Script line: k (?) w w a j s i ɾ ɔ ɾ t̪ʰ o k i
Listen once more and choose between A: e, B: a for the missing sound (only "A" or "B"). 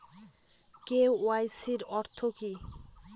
A